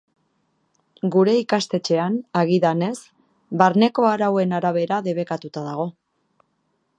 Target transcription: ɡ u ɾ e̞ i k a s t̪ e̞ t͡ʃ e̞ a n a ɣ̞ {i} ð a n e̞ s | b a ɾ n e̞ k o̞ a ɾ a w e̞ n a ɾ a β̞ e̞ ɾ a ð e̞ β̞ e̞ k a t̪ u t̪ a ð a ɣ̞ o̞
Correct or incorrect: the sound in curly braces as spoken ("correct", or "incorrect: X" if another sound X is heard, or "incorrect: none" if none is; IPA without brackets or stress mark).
correct